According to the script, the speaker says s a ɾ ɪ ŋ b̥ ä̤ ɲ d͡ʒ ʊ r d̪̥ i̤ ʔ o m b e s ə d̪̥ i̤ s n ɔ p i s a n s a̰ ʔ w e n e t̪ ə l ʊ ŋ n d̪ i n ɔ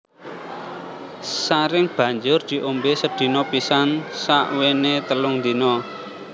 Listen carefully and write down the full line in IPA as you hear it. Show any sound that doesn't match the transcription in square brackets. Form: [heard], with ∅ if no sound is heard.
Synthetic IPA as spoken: s a ɾ ɪ ŋ b̥ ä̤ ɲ d͡ʒ ʊ r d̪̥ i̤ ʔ o m b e s ə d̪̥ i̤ [∅] n ɔ p i s a n s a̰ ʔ w e n e t̪ ə l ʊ ŋ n d̪ i n ɔ